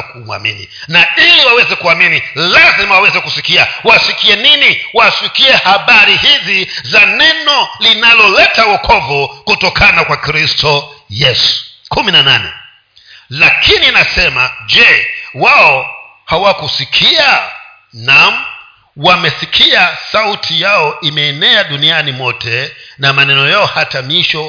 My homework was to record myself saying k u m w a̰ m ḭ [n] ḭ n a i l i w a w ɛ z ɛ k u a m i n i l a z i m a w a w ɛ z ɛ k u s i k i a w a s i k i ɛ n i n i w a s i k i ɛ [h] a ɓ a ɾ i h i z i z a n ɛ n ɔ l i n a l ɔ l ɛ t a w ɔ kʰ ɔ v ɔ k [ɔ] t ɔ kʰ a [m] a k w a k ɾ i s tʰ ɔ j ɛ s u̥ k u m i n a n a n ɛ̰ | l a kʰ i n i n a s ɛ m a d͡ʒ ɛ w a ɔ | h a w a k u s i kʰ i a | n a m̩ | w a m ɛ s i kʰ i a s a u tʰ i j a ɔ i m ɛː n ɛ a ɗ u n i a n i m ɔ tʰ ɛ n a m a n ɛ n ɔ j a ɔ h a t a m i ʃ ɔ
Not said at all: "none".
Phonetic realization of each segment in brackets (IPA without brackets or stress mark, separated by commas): n, h, u, n